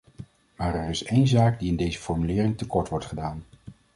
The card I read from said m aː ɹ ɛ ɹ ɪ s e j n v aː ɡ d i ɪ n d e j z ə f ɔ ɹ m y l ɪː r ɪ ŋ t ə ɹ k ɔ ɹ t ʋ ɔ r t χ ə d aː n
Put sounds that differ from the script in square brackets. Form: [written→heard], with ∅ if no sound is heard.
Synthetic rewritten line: m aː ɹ ɛ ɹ ɪ s e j n [v→z] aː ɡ d i ɪ n d e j z ə f ɔ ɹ m y l ɪː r ɪ ŋ t ə [ɹ→∅] k ɔ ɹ t ʋ ɔ [r→ɹ] t χ ə d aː n